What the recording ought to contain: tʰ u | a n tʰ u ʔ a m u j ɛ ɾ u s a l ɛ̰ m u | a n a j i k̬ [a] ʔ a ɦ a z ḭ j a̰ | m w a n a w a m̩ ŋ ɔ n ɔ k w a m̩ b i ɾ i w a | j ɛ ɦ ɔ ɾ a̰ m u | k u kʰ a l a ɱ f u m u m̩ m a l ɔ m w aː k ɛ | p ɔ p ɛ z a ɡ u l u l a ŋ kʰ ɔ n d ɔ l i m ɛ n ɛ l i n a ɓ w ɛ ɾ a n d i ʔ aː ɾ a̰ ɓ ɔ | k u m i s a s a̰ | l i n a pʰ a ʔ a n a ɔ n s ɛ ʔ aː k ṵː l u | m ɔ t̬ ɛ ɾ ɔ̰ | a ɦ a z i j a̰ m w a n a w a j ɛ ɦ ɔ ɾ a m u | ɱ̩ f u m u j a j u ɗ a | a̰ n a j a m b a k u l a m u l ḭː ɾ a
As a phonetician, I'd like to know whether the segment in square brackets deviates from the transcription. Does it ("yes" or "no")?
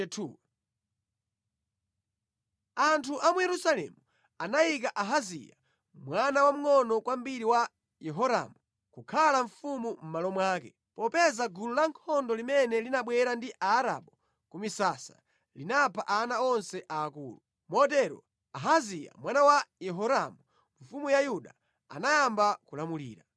no